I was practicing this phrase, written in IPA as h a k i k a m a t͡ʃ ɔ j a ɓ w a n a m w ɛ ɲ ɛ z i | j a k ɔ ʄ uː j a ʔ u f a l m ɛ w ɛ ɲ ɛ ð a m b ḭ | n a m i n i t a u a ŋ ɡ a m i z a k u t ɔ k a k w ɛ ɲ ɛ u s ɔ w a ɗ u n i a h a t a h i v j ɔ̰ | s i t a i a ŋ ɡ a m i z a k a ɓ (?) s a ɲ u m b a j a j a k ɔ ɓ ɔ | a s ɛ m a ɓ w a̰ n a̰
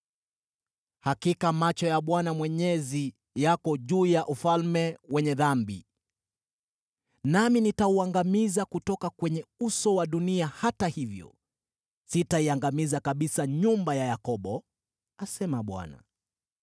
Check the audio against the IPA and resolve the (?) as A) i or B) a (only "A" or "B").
A